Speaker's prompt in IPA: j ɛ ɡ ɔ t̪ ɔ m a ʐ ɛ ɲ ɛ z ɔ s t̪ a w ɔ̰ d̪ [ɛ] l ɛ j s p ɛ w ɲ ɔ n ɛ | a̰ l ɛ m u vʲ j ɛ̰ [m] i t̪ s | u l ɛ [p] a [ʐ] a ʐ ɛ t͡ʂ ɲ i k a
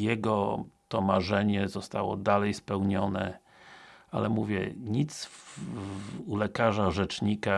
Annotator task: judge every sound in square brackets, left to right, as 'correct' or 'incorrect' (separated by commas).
incorrect, incorrect, incorrect, correct